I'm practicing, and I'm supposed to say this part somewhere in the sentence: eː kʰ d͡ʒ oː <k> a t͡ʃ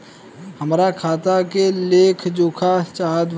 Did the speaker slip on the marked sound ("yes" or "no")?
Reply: yes